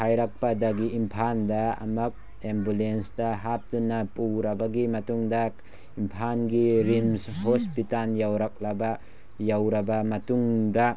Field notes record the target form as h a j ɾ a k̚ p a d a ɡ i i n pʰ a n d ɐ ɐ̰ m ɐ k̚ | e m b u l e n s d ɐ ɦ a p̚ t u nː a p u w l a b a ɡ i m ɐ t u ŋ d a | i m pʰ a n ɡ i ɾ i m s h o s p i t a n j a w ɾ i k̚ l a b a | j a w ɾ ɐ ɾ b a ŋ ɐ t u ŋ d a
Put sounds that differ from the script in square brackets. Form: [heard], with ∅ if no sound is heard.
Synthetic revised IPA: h a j ɾ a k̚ p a d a ɡ i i [m] pʰ a n d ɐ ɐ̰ m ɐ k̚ | e m b u l e n s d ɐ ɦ a p̚ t u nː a p u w [ɾ] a b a ɡ i m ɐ t u ŋ d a | i m pʰ a n ɡ i ɾ i m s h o s p i t a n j a w ɾ [a] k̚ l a b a | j a w ɾ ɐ [∅] b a [m] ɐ t u ŋ d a